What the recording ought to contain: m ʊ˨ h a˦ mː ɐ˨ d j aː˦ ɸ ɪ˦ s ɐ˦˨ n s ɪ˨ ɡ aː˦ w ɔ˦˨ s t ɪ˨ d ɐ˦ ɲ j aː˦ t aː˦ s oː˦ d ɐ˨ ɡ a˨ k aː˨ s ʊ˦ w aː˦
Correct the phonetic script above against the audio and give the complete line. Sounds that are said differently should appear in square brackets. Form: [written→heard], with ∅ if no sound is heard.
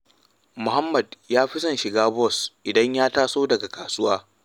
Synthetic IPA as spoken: m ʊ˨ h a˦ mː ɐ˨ d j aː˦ ɸ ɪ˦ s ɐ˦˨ n [s→ʃ] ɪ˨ ɡ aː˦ [w→b] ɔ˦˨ s [t→ʔ] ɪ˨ d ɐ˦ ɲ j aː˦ t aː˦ s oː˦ d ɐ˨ ɡ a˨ k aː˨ s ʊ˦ w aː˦